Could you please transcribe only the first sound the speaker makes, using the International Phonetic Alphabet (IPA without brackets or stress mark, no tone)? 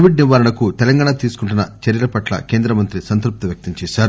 ʋ